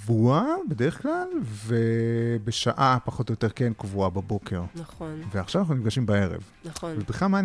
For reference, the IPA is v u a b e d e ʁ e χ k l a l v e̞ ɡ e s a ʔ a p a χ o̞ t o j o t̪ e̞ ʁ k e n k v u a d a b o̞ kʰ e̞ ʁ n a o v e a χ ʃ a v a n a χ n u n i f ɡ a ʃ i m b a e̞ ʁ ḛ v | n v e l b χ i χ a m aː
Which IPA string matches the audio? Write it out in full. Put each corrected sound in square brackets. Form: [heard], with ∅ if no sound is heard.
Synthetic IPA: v u a b e d e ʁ e χ k l a l v e̞ [b] e [ʃ] a ʔ a p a χ o̞ t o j o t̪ e̞ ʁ k e n k v u a [b] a b o̞ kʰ e̞ ʁ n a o v e a χ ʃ a v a n a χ n u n i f ɡ a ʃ i m b a e̞ ʁ ḛ v | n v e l b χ i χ a m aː